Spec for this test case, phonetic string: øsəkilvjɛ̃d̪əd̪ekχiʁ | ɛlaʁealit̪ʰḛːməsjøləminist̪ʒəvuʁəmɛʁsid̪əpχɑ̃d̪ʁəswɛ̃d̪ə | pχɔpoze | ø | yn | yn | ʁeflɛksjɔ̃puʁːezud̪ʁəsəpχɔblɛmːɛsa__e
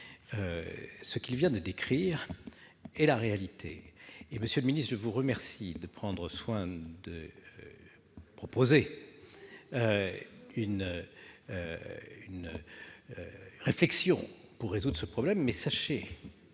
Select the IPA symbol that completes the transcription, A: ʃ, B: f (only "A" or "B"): A